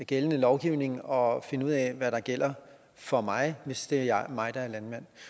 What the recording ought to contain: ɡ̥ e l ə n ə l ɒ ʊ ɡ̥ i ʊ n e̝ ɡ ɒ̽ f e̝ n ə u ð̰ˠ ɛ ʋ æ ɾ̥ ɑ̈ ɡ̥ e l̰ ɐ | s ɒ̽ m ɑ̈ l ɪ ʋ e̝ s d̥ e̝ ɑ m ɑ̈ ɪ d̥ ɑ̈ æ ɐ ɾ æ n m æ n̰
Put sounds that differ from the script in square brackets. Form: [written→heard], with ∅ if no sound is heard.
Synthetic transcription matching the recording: ɡ̥ e l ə n ə l ɒ ʊ ɡ̥ i ʊ n e̝ [ɡ→ŋ] ɒ̽ f e̝ n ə u ð̰ˠ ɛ ʋ æ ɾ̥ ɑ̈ ɡ̥ e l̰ ɐ | [s→f] ɒ̽ m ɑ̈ [l→∅] ɪ ʋ e̝ s d̥ e̝ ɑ m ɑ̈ ɪ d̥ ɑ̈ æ ɐ [ɾ→l] æ n m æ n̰